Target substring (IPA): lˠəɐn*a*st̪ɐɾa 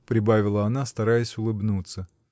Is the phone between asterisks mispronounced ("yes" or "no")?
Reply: no